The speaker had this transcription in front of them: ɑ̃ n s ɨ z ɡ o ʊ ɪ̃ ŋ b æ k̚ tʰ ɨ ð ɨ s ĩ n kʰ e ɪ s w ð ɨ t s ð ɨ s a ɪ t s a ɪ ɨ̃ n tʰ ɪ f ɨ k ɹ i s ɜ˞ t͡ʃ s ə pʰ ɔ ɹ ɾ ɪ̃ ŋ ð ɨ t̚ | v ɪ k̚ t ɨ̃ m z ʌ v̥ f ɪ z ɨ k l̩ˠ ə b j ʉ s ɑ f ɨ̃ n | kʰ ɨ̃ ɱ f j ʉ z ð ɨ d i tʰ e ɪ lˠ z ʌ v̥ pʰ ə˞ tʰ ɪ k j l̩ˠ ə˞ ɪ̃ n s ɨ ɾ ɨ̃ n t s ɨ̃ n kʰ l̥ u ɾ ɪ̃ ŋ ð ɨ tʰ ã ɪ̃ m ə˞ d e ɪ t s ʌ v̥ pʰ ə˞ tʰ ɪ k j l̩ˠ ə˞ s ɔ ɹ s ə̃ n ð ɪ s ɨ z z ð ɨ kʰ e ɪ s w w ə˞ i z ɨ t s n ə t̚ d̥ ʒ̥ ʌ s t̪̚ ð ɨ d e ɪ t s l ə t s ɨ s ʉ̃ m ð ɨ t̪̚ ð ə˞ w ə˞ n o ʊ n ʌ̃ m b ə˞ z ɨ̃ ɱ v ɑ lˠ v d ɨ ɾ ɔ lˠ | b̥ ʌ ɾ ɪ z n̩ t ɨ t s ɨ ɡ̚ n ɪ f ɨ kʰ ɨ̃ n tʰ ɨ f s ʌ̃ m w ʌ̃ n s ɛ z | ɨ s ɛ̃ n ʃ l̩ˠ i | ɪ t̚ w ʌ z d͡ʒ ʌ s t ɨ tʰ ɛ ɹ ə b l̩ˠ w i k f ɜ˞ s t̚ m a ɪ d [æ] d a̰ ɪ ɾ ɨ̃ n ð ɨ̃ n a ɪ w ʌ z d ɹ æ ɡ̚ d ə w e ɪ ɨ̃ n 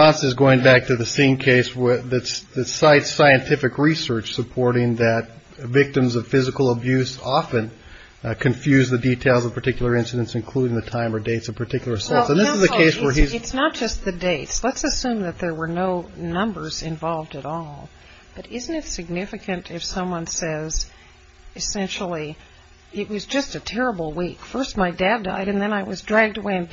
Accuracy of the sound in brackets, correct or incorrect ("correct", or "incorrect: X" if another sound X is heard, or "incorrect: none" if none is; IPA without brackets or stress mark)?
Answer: correct